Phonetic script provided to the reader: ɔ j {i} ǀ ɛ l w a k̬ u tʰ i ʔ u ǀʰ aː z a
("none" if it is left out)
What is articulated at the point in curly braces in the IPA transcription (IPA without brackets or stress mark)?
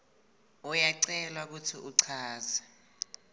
a